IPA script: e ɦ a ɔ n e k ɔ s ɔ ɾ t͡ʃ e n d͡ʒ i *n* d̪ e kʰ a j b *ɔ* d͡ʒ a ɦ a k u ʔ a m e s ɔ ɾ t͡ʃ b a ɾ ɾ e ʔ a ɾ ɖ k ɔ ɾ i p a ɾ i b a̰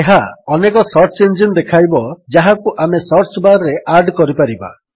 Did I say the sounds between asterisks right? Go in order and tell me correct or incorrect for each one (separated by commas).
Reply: correct, correct